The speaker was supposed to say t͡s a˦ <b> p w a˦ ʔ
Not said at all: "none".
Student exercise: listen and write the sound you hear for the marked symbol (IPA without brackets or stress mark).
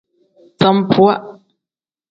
m